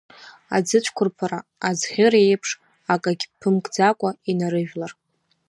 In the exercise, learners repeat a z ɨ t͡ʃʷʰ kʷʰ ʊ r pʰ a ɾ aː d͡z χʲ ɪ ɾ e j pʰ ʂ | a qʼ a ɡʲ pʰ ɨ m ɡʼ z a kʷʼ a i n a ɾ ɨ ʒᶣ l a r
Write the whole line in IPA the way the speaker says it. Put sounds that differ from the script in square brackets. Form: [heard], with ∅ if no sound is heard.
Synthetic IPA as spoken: a [d͡z] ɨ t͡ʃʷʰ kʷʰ ʊ r pʰ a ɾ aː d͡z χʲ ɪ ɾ e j pʰ ʂ | a [kʼ] a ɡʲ pʰ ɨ m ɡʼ [d͡z] a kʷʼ a i n a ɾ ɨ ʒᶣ l a r